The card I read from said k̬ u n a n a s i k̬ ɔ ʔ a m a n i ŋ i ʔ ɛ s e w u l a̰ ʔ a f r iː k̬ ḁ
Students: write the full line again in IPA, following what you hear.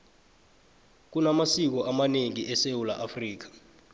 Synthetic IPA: k̬ u n a m a s i k̬ ɔ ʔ a m a n e ŋ i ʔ ɛ s e w u l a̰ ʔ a f r iː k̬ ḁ